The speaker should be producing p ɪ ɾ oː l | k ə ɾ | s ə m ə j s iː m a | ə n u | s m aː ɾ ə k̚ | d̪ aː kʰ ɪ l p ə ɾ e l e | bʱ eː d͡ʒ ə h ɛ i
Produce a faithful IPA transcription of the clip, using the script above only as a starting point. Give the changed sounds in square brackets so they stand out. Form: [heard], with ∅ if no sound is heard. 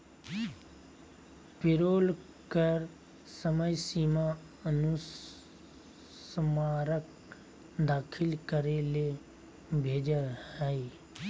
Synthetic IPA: p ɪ ɾ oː l | k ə ɾ | s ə m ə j s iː m a | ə n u | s m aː ɾ ə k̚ | d̪ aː kʰ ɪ l [k] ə ɾ e l e | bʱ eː d͡ʒ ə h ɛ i